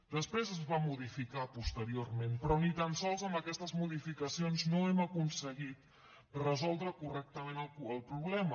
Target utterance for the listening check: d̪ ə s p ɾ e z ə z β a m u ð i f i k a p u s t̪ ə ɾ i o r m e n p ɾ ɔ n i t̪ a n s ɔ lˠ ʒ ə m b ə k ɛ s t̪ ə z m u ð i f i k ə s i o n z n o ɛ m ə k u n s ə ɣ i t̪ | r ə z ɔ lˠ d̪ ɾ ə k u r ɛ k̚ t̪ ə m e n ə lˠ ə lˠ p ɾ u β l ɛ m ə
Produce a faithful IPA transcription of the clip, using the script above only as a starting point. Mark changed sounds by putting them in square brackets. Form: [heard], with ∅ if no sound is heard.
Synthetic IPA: d̪ ə s p ɾ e z ə z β a m u ð i f i k a p u s t̪ ə ɾ i o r m e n p ɾ ɔ n i t̪ a n s ɔ lˠ [z] ə m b ə k ɛ s t̪ ə z m u ð i f i k ə s i o n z n o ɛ m ə k u n s ə ɣ i t̪ | r ə z ɔ lˠ d̪ ɾ ə k u r ɛ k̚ t̪ ə m e n ə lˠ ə lˠ p ɾ u β l ɛ m ə